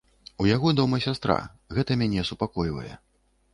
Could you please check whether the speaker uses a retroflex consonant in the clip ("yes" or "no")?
no